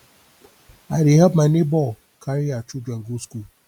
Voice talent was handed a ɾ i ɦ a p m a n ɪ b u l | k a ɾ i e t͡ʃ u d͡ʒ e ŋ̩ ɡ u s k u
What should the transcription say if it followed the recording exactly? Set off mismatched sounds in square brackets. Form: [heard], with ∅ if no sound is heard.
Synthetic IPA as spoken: a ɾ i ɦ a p m a n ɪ b [ɔ] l | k a ɾ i [a] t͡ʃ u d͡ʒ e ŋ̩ ɡ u s k u